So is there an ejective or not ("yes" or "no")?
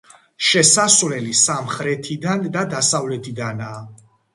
no